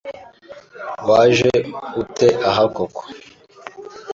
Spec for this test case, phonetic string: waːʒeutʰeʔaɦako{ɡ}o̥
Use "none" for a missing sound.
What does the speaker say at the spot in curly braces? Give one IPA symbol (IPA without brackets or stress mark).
k